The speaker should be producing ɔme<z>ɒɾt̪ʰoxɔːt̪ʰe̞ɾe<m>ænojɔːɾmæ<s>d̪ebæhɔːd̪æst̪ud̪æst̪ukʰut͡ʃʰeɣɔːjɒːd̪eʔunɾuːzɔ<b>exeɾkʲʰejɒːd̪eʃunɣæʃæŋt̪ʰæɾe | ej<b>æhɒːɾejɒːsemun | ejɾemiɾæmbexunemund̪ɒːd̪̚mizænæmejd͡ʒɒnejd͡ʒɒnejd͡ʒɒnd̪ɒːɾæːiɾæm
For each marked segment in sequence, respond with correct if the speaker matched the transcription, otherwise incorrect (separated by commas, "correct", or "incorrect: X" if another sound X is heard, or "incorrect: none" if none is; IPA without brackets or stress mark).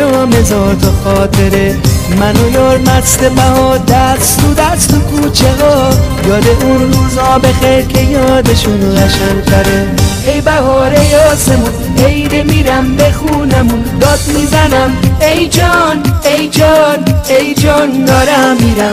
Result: correct, correct, correct, correct, correct